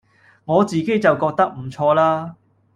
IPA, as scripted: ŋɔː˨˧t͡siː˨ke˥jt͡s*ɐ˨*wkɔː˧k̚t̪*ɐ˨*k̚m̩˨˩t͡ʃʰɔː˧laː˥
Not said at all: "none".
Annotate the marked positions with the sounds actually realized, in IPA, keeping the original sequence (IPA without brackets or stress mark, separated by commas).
ɐ˨, ɐ˥